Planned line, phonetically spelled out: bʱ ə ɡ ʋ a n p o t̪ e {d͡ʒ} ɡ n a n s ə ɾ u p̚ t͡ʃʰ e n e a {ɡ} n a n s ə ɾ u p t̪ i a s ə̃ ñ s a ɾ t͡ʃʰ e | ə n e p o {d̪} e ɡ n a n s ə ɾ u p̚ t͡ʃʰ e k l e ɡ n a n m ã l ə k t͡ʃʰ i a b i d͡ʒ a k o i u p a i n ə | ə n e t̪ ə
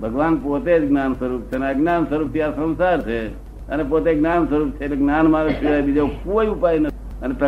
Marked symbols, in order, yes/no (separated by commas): yes, yes, no